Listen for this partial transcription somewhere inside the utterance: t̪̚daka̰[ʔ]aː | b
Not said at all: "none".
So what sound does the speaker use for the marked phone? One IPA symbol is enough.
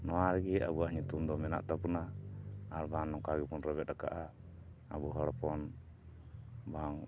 ʔ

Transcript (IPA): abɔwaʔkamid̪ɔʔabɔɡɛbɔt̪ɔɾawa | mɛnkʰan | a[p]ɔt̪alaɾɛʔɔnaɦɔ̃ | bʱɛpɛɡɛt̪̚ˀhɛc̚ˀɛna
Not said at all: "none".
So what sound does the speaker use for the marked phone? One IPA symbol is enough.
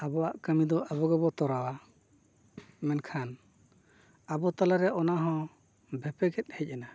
b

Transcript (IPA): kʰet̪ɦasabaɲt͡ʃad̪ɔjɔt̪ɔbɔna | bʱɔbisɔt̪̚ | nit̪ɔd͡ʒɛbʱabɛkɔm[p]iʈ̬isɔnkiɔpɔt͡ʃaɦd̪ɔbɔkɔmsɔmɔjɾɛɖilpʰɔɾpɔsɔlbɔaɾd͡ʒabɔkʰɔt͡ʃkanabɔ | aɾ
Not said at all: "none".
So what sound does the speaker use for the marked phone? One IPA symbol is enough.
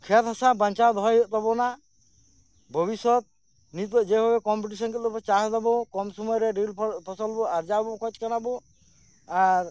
p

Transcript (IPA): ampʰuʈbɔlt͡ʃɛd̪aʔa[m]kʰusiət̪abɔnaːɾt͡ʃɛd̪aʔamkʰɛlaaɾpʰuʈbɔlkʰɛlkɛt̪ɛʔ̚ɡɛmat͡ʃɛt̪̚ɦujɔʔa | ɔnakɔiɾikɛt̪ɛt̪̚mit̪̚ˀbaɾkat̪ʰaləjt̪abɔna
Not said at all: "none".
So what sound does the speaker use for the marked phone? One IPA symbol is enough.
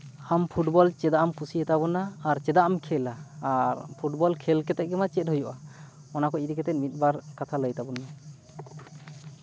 m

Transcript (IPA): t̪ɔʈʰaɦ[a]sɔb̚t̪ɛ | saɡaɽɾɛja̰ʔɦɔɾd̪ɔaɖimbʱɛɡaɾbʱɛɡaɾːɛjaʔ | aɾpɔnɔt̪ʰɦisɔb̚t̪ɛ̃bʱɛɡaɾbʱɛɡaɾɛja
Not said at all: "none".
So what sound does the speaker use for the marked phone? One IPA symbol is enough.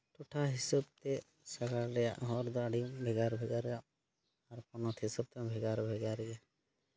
i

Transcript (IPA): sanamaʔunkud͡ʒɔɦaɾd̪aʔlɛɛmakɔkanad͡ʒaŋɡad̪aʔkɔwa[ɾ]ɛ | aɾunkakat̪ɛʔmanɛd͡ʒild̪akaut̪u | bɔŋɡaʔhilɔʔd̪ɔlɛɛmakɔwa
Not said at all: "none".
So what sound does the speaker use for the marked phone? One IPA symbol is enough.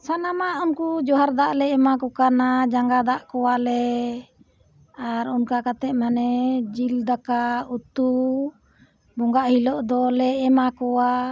l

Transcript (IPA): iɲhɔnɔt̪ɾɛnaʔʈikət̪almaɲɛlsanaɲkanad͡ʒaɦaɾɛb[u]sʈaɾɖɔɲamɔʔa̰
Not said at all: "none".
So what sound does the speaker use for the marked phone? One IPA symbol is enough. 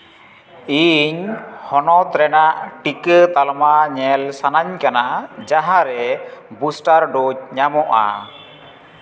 u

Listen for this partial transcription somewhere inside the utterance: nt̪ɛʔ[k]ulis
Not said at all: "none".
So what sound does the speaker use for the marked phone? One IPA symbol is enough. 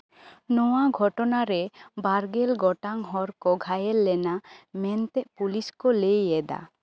p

